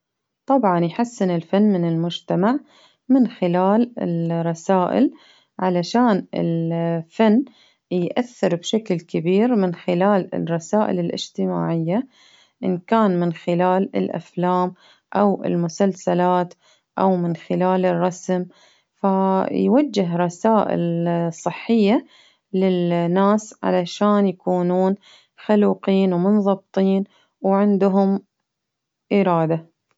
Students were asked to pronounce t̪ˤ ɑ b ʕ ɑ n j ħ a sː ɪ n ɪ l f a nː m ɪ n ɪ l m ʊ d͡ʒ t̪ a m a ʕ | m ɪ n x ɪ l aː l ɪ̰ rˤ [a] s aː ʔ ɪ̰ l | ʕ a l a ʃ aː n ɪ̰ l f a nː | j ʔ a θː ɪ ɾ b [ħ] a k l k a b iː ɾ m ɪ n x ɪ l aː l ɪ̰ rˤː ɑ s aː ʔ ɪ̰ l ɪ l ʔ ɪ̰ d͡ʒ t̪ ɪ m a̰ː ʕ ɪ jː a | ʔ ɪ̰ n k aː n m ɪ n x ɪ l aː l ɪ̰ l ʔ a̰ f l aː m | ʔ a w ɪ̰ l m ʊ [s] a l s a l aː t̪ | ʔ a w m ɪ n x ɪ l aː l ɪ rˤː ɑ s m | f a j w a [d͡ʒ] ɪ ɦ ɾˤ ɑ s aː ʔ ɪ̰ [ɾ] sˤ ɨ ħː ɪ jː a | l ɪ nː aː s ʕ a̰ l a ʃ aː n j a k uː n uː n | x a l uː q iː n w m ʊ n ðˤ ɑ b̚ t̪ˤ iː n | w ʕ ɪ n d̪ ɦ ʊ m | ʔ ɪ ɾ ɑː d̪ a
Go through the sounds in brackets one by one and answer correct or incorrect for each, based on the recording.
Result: incorrect, incorrect, correct, incorrect, incorrect

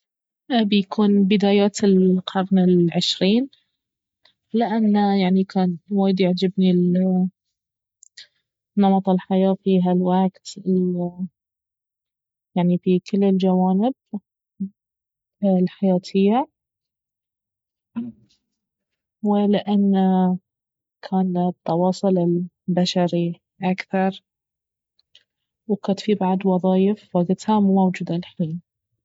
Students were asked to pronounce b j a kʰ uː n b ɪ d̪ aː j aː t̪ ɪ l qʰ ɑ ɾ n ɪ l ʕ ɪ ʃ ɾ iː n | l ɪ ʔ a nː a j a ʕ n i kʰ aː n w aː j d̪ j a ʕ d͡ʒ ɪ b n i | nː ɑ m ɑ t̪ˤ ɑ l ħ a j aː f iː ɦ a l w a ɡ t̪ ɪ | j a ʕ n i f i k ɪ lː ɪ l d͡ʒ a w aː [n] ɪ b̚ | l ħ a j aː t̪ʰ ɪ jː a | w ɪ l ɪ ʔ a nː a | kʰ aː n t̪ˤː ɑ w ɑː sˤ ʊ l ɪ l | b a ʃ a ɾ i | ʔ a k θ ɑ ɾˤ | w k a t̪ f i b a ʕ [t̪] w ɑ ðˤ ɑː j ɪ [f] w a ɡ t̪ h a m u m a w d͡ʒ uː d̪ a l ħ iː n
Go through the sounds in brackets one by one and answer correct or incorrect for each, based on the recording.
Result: correct, incorrect, correct

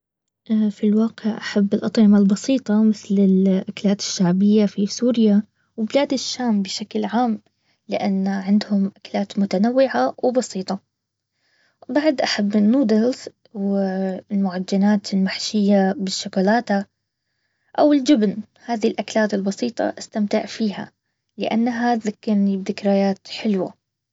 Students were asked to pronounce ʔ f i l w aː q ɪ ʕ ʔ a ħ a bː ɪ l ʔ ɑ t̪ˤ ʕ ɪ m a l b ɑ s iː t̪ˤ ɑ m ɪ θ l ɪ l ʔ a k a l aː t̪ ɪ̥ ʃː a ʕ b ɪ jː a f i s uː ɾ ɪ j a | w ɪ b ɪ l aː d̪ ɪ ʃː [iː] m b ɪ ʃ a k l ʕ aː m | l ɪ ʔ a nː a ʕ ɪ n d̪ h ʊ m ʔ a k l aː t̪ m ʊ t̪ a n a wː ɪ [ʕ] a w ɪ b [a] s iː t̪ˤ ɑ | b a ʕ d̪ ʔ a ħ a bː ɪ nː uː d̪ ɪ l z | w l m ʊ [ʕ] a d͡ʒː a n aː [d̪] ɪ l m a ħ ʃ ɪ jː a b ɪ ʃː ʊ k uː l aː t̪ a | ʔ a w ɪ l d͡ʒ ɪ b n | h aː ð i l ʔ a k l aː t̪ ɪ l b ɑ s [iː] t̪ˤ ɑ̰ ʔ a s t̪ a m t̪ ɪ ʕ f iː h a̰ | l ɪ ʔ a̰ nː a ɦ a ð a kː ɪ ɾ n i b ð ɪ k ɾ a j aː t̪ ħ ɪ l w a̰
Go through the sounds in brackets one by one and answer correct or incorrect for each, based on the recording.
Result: incorrect, correct, incorrect, correct, incorrect, correct

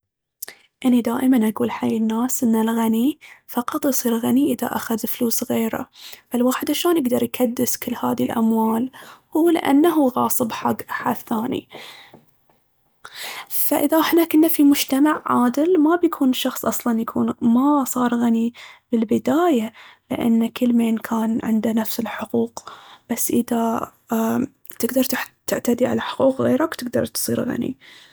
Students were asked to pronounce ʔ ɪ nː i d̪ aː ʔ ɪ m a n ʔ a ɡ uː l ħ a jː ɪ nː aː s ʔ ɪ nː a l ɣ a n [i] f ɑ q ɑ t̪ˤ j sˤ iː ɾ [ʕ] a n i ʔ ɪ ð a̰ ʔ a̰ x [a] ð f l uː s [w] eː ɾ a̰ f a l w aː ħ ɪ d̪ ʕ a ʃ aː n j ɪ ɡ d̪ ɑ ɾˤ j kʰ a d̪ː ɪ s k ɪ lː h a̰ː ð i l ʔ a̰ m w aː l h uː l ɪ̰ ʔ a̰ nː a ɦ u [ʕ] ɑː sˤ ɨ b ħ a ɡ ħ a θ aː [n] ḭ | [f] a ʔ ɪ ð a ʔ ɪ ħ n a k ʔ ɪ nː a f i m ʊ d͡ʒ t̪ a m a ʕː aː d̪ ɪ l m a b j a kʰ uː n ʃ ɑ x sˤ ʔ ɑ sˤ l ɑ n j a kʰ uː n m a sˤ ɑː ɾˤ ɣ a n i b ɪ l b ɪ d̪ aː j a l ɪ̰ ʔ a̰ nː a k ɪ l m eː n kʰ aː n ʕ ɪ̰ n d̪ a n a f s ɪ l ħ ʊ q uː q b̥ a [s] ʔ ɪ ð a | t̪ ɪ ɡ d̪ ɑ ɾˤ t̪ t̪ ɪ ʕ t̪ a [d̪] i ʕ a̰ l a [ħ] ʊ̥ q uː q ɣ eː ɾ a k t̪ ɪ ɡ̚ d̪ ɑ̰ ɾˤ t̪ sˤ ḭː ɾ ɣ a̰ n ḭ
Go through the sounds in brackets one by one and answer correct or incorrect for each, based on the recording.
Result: correct, incorrect, correct, incorrect, incorrect, correct, correct, incorrect, correct, correct

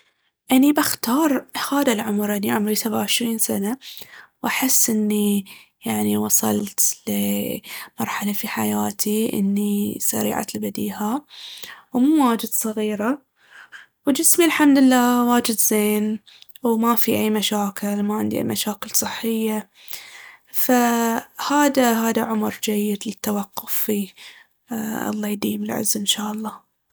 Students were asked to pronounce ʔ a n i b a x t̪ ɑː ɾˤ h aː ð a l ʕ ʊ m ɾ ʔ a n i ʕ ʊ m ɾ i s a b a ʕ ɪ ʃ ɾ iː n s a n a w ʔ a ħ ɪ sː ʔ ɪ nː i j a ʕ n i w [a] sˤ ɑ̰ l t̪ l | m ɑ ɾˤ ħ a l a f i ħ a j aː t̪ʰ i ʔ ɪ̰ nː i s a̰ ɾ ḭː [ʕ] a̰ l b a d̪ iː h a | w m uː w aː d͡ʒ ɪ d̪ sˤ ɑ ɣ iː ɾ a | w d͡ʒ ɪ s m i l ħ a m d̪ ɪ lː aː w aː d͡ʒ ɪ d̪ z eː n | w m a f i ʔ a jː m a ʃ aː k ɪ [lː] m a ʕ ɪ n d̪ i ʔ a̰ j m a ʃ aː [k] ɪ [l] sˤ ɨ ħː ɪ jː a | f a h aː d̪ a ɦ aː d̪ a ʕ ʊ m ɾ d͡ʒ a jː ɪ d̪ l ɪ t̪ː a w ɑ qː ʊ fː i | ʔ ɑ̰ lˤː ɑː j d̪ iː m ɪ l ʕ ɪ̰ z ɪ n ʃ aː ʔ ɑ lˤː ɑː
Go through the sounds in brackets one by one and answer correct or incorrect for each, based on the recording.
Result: incorrect, correct, incorrect, correct, correct

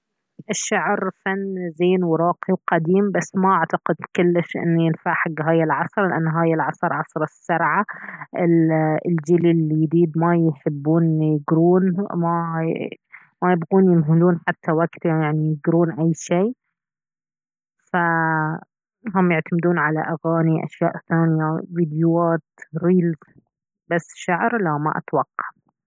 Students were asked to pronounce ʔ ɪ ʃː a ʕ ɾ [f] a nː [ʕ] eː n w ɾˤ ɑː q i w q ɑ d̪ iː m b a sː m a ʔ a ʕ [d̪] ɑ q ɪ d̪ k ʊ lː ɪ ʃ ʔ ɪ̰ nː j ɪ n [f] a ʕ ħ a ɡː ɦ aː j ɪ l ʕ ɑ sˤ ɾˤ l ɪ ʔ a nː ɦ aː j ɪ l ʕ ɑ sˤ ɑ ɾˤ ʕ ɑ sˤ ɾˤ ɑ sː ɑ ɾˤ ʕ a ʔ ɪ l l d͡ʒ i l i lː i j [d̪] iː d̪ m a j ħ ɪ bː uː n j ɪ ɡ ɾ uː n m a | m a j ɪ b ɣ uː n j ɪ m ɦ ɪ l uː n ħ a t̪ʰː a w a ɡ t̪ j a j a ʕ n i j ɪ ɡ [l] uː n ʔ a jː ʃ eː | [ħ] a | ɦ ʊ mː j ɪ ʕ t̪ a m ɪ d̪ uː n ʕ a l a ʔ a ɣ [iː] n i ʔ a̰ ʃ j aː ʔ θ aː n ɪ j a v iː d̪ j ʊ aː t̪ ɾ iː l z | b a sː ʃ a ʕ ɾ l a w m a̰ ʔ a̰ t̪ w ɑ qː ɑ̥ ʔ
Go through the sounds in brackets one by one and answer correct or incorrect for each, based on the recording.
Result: correct, incorrect, incorrect, correct, correct, incorrect, incorrect, incorrect

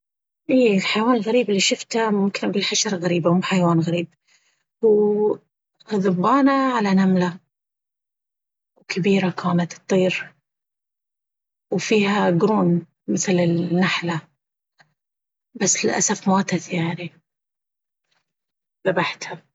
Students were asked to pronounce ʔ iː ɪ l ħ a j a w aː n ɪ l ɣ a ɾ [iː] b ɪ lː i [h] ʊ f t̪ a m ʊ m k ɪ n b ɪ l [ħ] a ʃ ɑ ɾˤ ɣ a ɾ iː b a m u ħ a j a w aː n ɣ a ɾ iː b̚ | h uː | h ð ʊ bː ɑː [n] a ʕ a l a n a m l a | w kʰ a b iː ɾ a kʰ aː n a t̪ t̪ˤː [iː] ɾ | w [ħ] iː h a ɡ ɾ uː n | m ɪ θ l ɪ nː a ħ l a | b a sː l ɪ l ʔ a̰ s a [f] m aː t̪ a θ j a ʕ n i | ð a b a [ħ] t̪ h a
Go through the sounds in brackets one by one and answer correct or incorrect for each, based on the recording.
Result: correct, incorrect, correct, correct, correct, incorrect, correct, correct

